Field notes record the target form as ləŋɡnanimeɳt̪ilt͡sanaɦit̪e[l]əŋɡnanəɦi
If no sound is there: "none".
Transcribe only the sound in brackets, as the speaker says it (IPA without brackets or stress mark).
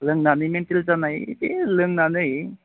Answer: l